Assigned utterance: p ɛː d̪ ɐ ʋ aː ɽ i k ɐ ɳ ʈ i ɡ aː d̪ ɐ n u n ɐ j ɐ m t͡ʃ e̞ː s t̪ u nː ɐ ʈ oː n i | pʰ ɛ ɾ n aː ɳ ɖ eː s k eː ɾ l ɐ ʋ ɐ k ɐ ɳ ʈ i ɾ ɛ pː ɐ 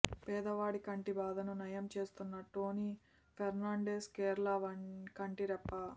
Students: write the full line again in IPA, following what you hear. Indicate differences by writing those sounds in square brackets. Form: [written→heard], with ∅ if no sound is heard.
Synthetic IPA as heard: p ɛː d̪ ɐ ʋ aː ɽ i k ɐ ɳ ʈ i [ɡ→b] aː d̪ ɐ n u n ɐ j ɐ m t͡ʃ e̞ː s t̪ u nː ɐ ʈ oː n i | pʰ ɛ ɾ n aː ɳ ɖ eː s k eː ɾ l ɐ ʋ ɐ k ɐ ɳ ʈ i ɾ ɛ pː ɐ